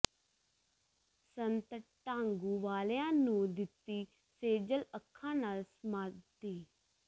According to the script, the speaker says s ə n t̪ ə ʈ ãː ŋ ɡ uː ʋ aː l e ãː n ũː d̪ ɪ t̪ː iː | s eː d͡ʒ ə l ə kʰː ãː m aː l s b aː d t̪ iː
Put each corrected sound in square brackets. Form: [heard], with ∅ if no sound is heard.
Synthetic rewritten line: s ə n t̪ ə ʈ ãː ŋ ɡ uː ʋ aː l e ãː n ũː d̪ ɪ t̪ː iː | s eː d͡ʒ ə l ə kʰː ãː [n] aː l s [m] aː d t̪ iː

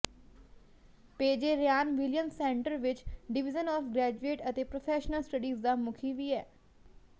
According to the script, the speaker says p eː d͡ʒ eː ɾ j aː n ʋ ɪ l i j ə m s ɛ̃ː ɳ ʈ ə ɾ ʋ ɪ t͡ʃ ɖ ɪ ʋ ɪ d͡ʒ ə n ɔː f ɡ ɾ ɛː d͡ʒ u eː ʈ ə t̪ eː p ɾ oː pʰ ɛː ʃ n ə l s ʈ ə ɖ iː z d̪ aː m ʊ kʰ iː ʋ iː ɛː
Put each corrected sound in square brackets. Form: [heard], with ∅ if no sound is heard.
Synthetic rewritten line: p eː d͡ʒ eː ɾ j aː n ʋ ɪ l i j ə m s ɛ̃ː ɳ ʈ ə ɾ ʋ ɪ t͡ʃ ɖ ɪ ʋ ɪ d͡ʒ ə n ɔː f ɡ ɾ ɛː d͡ʒ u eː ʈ ə t̪ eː p ɾ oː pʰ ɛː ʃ n ə l s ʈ ə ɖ iː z d̪ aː m ʊ kʰ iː ʋ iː ɛː

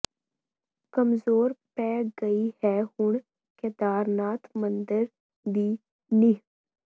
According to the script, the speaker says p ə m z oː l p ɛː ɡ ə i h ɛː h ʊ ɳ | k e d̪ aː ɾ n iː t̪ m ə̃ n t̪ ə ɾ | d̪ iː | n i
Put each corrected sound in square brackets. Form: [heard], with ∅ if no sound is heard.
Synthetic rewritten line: [k] ə m z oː [ɾ] p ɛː ɡ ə i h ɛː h ʊ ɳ | k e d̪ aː ɾ n [aː] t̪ m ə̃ n [d̪] ə ɾ | d̪ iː | n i

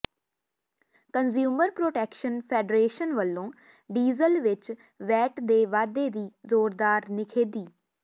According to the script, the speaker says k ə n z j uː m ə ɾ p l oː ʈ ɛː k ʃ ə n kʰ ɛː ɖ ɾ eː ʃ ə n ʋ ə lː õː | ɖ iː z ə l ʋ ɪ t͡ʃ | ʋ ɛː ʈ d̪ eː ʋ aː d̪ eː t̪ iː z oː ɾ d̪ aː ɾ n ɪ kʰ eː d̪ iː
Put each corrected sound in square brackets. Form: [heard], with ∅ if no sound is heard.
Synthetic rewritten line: k ə n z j uː m ə ɾ p [ɾ] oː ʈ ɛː k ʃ ə n [pʰ] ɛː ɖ ɾ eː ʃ ə n ʋ ə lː õː | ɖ iː z ə l ʋ ɪ t͡ʃ | ʋ ɛː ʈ d̪ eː ʋ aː d̪ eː [d̪] iː z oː ɾ d̪ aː ɾ n ɪ kʰ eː d̪ iː

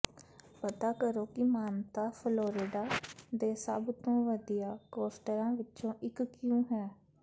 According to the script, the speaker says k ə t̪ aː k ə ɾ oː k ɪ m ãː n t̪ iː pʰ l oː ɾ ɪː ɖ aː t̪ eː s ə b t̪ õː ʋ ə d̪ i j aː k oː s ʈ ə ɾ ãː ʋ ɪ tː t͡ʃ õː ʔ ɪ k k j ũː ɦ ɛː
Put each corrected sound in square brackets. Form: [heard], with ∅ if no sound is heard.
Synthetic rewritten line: [p] ə t̪ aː k ə ɾ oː k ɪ m [aː] n t̪ [aː] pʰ l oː ɾ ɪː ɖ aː [d̪] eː s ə b t̪ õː ʋ ə d̪ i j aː k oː s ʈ ə ɾ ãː ʋ ɪ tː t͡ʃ õː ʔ ɪ k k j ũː ɦ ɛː

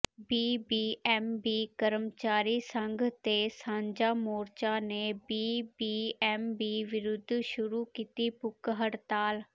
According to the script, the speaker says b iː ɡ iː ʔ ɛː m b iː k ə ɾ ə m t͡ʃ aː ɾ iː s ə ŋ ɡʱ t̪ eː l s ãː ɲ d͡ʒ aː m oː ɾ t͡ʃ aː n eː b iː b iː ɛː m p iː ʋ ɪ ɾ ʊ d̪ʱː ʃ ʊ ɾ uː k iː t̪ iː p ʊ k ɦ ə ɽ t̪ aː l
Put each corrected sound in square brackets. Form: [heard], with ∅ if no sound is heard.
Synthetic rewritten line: b iː [b] iː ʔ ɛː m b iː k ə ɾ ə m t͡ʃ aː ɾ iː s ə ŋ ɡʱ t̪ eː [∅] s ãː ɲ d͡ʒ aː m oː ɾ t͡ʃ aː n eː b iː b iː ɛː m [b] iː ʋ ɪ ɾ ʊ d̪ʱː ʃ ʊ ɾ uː k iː t̪ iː p ʊ k ɦ ə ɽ t̪ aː l

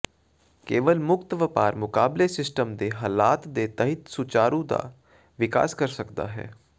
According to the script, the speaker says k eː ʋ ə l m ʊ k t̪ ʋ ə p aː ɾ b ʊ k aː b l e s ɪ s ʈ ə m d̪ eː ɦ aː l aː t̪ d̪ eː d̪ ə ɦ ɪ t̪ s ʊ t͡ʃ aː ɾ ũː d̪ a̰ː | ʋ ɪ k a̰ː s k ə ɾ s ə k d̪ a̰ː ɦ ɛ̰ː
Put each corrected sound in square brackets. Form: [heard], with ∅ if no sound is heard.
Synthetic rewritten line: k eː ʋ ə l m ʊ k t̪ ʋ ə p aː ɾ [m] ʊ k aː b l e s ɪ s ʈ ə m d̪ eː ɦ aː l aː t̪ d̪ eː [t̪] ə ɦ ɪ t̪ s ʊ t͡ʃ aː ɾ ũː d̪ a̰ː | ʋ ɪ k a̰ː s k ə ɾ s ə k d̪ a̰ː ɦ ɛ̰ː

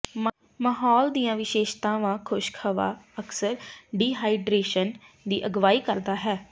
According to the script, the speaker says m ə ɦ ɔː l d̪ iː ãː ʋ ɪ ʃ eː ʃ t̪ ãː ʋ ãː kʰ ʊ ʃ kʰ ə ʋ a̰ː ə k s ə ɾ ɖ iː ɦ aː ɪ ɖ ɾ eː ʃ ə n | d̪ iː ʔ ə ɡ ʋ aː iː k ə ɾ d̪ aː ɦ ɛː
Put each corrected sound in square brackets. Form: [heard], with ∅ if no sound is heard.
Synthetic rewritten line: m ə ɦ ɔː l d̪ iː ãː ʋ ɪ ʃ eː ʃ t̪ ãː ʋ ãː kʰ ʊ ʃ kʰ ə ʋ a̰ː ə k s ə ɾ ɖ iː ɦ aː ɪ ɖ ɾ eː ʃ ə n | d̪ iː ʔ ə ɡ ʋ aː iː k ə ɾ d̪ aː ɦ ɛː

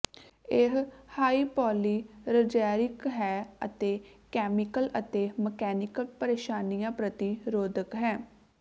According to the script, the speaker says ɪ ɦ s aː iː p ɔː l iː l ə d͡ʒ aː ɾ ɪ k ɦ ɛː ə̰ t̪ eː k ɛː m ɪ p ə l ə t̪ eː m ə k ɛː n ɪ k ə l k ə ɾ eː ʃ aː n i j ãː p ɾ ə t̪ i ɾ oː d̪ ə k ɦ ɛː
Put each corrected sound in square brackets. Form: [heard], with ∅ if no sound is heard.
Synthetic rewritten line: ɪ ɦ [h] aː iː p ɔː l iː [ɾ] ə d͡ʒ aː ɾ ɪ k ɦ ɛː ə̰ t̪ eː k ɛː m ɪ [k] ə l ə t̪ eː m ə k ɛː n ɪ k ə l [p] ə ɾ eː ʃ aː n i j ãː p ɾ ə t̪ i ɾ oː d̪ ə k ɦ ɛː

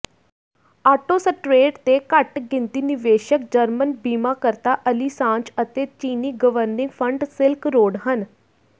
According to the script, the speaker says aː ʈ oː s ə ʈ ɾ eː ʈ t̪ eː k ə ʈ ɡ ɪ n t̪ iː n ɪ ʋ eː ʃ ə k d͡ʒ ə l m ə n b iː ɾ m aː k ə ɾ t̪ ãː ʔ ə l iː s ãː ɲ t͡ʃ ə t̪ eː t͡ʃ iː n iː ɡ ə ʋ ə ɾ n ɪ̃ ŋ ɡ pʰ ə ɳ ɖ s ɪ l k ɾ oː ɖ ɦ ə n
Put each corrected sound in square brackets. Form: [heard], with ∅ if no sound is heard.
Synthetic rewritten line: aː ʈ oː s ə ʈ ɾ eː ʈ t̪ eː k ə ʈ ɡ ɪ n t̪ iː n ɪ ʋ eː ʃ ə k d͡ʒ ə [ɾ] m ə n b iː [∅] m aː k ə ɾ t̪ [aː] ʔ ə l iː s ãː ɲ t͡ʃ ə t̪ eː t͡ʃ iː n iː ɡ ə ʋ ə ɾ n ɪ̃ ŋ ɡ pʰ ə ɳ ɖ s ɪ l k ɾ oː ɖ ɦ ə n

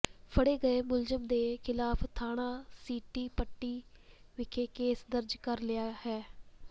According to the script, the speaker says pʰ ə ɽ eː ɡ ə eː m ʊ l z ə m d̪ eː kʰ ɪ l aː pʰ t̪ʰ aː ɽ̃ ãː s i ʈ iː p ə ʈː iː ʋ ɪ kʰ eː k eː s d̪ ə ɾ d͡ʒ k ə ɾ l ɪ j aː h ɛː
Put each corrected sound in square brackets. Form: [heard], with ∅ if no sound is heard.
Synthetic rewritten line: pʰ ə ɽ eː ɡ ə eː m ʊ l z ə m d̪ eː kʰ ɪ l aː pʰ t̪ʰ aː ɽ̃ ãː s [iː] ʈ iː p ə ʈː iː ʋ ɪ kʰ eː k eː s d̪ ə ɾ d͡ʒ k ə ɾ l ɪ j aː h ɛː

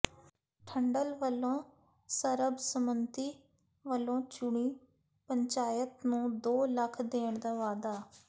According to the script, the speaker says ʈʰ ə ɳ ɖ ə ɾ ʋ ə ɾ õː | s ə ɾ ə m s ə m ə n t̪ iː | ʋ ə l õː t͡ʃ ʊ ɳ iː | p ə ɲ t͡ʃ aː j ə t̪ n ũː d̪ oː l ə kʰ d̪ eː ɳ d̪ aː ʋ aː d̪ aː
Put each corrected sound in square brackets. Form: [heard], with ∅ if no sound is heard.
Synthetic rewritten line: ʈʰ ə ɳ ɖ ə [l] ʋ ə [l] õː | s ə ɾ ə [b] s ə m ə n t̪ iː | ʋ ə l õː t͡ʃ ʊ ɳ iː | p ə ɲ t͡ʃ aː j ə t̪ n ũː d̪ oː l ə kʰ d̪ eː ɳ d̪ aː ʋ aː d̪ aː

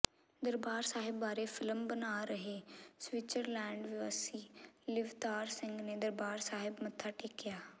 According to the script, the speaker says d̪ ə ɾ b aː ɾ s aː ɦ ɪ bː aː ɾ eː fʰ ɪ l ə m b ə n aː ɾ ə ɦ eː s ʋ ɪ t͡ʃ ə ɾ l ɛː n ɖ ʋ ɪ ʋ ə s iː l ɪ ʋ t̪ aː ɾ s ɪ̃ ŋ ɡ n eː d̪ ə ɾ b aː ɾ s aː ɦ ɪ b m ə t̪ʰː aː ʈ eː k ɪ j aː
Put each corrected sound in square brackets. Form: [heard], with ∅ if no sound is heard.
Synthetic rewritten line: d̪ ə ɾ b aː ɾ s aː ɦ ɪ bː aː ɾ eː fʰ ɪ l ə m b ə n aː ɾ ə ɦ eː s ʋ ɪ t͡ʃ ə ɾ l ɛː [ɳ] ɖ ʋ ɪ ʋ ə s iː l ɪ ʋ t̪ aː ɾ s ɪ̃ ŋ ɡ n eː d̪ ə ɾ b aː ɾ s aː ɦ ɪ b m ə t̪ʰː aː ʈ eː k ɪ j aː

